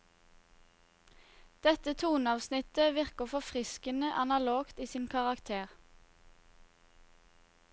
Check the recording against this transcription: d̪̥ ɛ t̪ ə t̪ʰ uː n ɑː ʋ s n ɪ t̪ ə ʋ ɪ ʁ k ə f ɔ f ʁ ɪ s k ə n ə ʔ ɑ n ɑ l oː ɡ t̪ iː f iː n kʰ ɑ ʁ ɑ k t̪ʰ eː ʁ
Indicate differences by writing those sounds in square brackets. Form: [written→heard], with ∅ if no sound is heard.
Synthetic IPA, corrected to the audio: d̪̥ ɛ t̪ ə t̪ʰ uː n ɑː ʋ s n ɪ t̪ ə ʋ ɪ ʁ k ə f ɔ f ʁ ɪ s k ə n ə ʔ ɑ n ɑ l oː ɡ t̪ iː [f→s] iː n kʰ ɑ ʁ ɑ k t̪ʰ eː ʁ